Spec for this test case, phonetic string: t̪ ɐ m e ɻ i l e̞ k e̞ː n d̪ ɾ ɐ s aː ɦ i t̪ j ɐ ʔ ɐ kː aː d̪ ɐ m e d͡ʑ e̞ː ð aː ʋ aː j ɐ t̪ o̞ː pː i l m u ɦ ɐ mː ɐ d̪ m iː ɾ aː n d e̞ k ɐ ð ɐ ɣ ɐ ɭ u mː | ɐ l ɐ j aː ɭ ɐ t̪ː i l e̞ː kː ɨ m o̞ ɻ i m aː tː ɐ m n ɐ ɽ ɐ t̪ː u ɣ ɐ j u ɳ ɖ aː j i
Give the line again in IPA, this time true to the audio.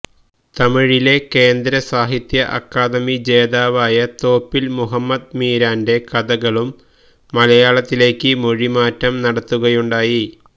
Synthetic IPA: t̪ ɐ m i ɻ i l e̞ k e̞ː n d̪ ɾ ɐ s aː ɦ i t̪ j ɐ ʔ ɐ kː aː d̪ ɐ m i d͡ʑ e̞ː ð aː ʋ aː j ɐ t̪ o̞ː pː i l m u ɦ ɐ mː ɐ d̪ m iː ɾ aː n d e̞ k ɐ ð ɐ ɣ ɐ ɭ u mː | ɐ l ɐ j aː ɭ ɐ t̪ː i l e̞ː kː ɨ m o̞ ɻ i m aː tː ɐ m n ɐ ɽ ɐ t̪ː u ɣ ɐ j u ɳ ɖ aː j i